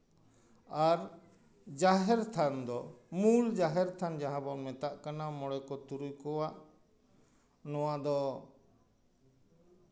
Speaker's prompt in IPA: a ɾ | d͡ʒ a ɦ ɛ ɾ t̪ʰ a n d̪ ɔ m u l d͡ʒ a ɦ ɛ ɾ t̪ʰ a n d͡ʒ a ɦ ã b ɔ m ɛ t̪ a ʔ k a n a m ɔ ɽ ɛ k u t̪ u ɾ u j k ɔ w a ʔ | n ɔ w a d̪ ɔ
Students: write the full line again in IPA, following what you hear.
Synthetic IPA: a ɾ | d͡ʒ a ɦ ɛ ɾ t̪ʰ a n d̪ ɔ m u l d͡ʒ a ɦ ɛ ɾ t̪ʰ a n d͡ʒ a ɦ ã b ɔ m ɛ t̪ a ʔ k a n a m ɔ ɽ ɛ k ɔ t̪ u ɾ u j k ɔ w a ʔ | n ɔ w a d̪ ɔ